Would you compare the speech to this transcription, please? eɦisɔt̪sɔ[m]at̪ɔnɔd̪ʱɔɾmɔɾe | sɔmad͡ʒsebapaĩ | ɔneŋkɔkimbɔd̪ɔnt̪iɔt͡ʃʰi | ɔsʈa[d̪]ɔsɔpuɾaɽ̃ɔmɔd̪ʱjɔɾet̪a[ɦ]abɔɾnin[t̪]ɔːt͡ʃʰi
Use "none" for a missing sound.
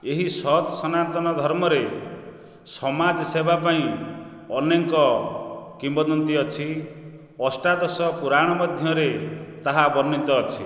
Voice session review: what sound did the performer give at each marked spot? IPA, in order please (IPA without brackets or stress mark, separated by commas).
n, d̪, ɦ, t̪